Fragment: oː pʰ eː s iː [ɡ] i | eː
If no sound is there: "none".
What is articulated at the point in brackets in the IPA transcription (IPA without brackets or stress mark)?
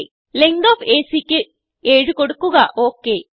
k